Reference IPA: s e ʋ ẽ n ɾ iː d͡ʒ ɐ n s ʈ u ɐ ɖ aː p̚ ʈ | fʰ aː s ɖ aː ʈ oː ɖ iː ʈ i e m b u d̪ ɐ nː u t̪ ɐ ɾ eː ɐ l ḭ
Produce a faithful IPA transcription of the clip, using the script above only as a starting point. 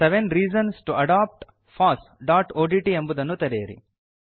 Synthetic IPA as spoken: s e ʋ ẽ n ɾ iː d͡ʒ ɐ n s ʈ u ɐ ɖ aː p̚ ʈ | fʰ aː s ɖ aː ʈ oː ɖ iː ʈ i e m b u d̪ ɐ nː u t̪ ɐ ɾ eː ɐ ɾ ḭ

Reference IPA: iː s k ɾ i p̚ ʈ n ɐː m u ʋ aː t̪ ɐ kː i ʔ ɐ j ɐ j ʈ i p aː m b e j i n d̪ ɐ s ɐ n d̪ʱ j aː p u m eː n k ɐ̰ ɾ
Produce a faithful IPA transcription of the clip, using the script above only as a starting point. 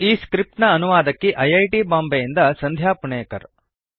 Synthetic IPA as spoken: iː s k ɾ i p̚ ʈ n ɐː n u ʋ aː d̪ ɐ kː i ʔ ɐ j ɐ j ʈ i b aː m b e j i n d̪ ɐ s ɐ n d̪ʱ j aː p u ɳ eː k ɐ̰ ɾ

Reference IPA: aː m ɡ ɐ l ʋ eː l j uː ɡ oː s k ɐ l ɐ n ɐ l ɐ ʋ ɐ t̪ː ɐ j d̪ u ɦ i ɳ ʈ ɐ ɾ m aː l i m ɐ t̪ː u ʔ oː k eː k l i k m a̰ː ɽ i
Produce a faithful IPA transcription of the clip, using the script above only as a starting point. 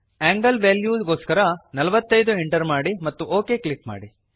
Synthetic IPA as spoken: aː ŋ ɡ ɐ l ʋ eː l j uː ɡ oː s k ɐ ɾ ɐ n ɐ l ɐ ʋ ɐ t̪ː ɐ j d̪ u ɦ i ɳ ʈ ɐ ɾ m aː ɽ i m ɐ t̪ː u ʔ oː k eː k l i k m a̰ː ɽ i

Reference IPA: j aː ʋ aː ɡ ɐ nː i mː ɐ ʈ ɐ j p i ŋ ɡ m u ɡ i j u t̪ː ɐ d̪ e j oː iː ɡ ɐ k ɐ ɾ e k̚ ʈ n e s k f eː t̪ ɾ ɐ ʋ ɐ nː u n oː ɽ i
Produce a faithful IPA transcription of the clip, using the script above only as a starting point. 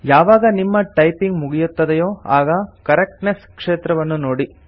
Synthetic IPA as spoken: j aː ʋ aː ɡ ɐ n i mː ɐ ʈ ɐ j p i ŋ ɡ m u ɡ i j u t̪ː ɐ d̪ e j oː aː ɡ ɐ k ɐ ɾ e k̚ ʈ n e s k ʂ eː t̪ ɾ ɐ ʋ ɐ nː u n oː ɽ i

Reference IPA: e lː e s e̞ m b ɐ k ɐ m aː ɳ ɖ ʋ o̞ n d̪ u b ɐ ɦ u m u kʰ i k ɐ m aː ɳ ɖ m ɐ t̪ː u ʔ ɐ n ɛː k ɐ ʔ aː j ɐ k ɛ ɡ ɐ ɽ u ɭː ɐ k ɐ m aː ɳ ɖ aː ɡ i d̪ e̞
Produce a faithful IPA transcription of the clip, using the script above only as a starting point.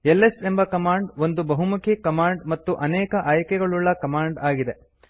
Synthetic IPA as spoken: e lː e s e̞ m b ɐ k ɐ m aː ɳ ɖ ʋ o̞ n d̪ u b ɐ ɦ u m u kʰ i k ɐ m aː ɳ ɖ m ɐ t̪ː u ʔ ɐ n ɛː k ɐ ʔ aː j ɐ k ɛ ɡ ɐ ɭ u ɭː ɐ k ɐ m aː ɳ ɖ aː ɡ i d̪ e̞

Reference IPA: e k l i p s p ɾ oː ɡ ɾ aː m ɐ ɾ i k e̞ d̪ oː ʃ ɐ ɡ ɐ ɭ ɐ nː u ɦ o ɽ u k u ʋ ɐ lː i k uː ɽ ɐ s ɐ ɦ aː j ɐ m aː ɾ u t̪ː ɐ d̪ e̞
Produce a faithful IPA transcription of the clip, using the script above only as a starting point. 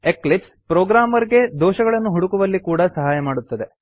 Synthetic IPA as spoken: e k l i p s p ɾ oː ɡ ɾ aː m ɐ ɾ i ɡ e̞ d̪ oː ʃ ɐ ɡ ɐ ɭ ɐ nː u ɦ u ɽ u k u ʋ ɐ lː i k uː ɽ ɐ s ɐ ɦ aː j ɐ m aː ɽ u t̪ː ɐ d̪ e̞

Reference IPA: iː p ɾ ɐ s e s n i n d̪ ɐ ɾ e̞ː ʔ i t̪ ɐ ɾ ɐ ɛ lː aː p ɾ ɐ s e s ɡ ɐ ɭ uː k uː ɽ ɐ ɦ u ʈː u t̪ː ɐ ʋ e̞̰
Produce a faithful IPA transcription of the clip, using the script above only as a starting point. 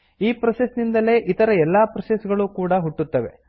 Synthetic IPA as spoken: iː p ɾ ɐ s e s n i n d̪ ɐ l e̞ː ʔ i t̪ ɐ ɾ ɐ ɛ lː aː p ɾ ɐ s e s ɡ ɐ ɭ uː k uː ɽ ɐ ɦ u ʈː u t̪ː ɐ ʋ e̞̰

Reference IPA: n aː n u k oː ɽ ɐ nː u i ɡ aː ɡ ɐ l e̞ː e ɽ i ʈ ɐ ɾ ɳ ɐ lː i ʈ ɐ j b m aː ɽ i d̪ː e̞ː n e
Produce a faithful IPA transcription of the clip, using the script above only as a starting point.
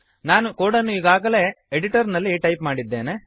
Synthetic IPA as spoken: n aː n u k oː ɽ ɐ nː u i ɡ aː ɡ ɐ l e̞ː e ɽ i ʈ ɐ ɾ n ɐ lː i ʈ ɐ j p m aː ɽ i d̪ː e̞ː n e

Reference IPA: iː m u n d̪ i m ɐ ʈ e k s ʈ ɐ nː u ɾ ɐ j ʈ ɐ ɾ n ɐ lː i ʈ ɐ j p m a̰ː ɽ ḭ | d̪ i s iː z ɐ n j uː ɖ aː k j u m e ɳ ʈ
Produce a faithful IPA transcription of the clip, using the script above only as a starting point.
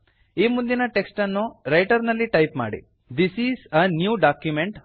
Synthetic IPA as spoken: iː m u n d̪ i n ɐ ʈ e k s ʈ ɐ nː u ɾ ɐ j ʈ ɐ ɾ n ɐ lː i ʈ ɐ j p m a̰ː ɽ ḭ | d̪ i s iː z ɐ n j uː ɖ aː k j u m e ɳ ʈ

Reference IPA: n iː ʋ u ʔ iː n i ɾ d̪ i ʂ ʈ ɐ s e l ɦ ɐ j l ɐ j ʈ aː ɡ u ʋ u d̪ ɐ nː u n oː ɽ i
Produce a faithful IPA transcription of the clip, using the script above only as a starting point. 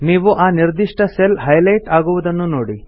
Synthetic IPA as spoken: n iː ʋ u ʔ aː n i ɾ d̪ i ʂ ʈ ɐ s e l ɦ ɐ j l ɐ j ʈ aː ɡ u ʋ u d̪ ɐ nː u n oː ɽ i

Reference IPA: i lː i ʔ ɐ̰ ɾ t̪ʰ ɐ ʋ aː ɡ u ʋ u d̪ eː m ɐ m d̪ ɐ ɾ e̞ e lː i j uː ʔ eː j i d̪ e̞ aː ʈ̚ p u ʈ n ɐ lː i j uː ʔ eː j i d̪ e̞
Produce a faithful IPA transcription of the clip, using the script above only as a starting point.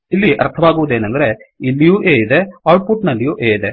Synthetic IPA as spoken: i lː i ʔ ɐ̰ ɾ t̪ʰ ɐ ʋ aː ɡ u ʋ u d̪ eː n ɐ n d̪ ɐ ɾ e̞ i lː i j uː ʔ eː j i d̪ e̞ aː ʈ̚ p u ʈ n ɐ lː i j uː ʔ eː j i d̪ e̞

